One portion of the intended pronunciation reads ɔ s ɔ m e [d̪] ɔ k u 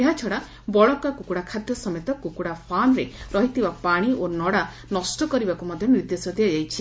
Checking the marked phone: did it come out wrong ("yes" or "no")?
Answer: yes